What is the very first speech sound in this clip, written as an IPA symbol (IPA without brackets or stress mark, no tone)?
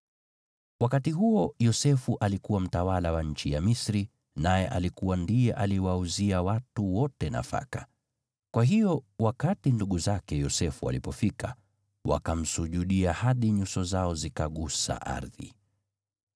w